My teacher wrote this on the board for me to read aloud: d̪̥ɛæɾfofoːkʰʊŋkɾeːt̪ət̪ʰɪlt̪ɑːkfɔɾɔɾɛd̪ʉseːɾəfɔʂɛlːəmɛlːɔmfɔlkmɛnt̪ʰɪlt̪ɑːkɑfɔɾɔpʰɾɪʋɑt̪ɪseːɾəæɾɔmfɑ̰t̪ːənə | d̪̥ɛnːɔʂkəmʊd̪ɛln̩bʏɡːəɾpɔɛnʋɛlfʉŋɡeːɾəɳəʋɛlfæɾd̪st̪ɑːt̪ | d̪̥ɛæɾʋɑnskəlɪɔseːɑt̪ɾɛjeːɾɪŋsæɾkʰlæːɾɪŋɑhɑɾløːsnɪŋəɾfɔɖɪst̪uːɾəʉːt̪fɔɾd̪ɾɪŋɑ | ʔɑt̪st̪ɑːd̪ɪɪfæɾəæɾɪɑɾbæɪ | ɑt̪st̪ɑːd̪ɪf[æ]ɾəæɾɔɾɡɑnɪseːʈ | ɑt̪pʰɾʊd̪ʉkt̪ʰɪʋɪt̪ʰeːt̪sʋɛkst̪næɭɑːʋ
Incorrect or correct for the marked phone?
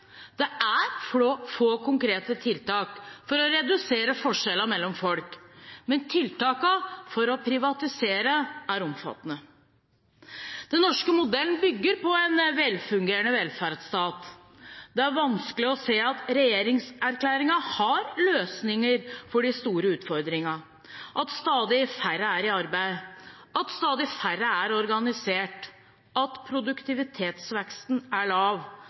correct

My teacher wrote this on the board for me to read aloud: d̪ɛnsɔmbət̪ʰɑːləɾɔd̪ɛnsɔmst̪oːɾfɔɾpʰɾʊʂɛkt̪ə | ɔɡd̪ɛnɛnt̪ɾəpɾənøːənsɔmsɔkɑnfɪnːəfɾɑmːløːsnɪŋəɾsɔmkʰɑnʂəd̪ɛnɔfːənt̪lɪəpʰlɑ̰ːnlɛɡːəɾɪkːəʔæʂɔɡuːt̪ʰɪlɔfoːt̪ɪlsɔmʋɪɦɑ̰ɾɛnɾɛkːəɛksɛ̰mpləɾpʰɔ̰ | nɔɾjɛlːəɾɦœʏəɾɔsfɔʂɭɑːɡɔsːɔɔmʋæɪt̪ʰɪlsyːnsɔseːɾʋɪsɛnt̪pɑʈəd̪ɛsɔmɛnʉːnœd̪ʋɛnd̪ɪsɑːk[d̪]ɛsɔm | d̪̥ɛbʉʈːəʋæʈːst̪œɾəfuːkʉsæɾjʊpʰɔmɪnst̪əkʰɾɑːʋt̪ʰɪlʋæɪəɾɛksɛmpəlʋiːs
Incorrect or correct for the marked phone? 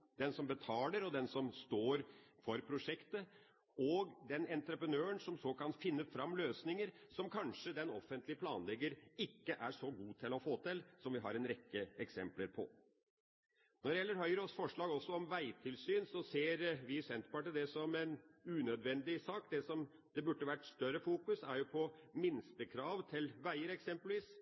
correct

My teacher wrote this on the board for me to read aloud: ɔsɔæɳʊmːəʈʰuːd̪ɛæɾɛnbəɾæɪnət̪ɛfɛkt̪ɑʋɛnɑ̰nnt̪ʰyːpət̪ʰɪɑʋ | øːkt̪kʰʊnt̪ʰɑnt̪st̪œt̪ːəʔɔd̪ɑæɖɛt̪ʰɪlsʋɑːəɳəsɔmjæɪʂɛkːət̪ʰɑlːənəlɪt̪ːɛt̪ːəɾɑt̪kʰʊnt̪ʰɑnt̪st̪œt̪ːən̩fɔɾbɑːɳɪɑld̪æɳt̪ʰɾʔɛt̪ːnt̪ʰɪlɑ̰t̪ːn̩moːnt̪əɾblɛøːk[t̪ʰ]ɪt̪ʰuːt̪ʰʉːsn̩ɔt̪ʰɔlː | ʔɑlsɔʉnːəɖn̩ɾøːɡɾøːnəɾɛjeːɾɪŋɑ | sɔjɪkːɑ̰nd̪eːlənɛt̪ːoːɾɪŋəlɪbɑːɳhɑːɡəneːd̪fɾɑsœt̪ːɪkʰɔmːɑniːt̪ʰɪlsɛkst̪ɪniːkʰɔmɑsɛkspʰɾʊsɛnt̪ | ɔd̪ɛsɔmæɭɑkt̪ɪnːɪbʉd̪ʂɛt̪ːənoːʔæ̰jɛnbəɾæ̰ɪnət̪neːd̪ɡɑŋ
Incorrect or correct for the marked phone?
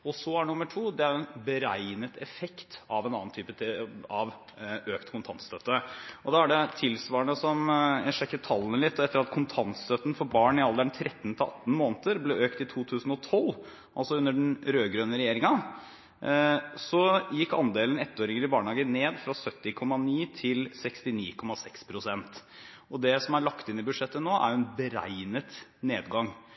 incorrect: t̪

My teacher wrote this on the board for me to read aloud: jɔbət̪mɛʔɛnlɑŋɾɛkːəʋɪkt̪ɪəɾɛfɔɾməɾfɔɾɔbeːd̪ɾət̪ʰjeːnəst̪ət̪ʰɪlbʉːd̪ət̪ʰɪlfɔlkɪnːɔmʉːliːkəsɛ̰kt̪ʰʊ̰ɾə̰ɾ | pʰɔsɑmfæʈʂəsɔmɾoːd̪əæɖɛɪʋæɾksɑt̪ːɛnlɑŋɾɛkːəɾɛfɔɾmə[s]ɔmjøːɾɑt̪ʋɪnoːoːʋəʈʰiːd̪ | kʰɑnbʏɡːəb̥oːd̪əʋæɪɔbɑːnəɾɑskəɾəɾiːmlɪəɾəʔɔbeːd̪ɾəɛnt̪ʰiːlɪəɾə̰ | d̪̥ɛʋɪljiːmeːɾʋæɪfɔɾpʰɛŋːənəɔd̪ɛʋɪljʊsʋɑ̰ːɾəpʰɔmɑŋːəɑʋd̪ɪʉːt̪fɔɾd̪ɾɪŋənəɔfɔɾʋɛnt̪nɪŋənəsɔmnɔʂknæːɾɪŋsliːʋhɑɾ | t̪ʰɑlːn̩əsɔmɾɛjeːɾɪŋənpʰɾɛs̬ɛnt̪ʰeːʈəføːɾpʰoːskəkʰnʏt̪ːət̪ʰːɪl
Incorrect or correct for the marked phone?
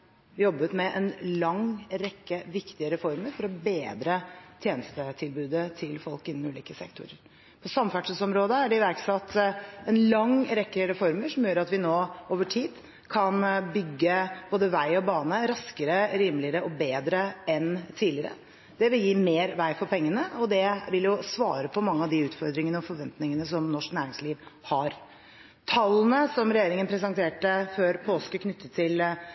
incorrect: ʂ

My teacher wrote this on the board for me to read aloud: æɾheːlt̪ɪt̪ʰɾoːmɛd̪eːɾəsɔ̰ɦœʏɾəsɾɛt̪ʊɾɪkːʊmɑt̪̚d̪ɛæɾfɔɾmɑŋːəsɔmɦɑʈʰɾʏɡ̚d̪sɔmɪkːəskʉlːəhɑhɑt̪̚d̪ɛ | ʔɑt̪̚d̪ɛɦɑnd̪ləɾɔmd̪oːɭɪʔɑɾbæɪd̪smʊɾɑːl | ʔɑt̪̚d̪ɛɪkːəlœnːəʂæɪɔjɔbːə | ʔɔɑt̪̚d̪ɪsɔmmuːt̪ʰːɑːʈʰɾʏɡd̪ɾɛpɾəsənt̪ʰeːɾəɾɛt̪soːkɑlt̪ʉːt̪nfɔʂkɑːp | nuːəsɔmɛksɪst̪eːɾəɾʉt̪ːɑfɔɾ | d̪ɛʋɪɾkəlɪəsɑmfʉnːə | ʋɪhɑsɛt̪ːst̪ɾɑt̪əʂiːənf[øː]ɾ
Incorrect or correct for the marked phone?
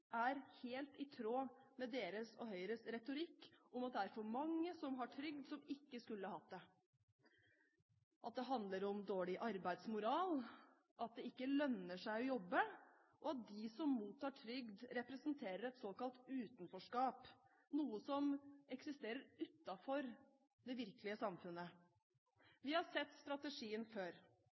correct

